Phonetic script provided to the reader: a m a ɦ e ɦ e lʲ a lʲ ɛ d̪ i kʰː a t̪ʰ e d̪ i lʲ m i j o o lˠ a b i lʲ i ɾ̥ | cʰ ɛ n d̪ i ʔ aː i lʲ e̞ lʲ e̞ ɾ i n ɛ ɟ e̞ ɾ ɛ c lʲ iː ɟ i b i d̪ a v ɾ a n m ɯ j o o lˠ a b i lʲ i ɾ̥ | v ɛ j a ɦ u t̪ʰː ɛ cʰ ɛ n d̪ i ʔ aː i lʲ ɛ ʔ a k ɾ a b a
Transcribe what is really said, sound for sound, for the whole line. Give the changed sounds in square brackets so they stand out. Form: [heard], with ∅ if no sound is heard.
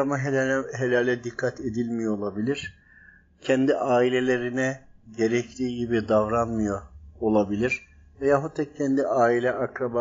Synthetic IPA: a m a ɦ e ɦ e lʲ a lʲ ɛ d̪ i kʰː a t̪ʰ e d̪ i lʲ m i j o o lˠ a b i lʲ i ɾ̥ | cʰ ɛ n d̪ i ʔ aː i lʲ e̞ lʲ e̞ ɾ i n ɛ ɟ e̞ ɾ ɛ c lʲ iː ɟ i b i d̪ a v ɾ a n m ɯ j o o lˠ a b i lʲ i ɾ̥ | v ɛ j a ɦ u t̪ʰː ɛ cʰ ɛ n d̪ i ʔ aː i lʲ ɛ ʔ a k ɾ a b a